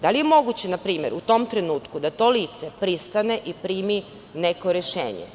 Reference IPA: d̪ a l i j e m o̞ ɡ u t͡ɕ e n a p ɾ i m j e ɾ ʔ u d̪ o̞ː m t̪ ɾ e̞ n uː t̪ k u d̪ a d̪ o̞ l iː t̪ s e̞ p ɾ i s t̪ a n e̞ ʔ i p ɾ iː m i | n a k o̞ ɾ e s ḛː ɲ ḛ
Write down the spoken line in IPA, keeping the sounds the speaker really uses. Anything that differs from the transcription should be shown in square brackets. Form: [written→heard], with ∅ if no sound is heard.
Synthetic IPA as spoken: d̪ a l i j e m o̞ ɡ u t͡ɕ e n a p ɾ [i→iː] m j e ɾ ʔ u [d̪→t̪] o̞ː m t̪ ɾ e̞ n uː t̪ k u d̪ a [d̪→t̪] o̞ l iː t̪ s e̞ p ɾ i s t̪ a n e̞ ʔ i p ɾ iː m i | n [a→e] k o̞ ɾ e [s→ʃ] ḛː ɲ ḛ